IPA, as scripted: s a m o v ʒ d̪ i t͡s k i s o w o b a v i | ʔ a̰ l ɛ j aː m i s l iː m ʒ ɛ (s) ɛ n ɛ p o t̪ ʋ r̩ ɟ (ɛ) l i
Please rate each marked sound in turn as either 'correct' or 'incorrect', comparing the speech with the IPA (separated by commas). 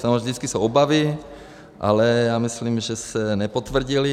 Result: correct, incorrect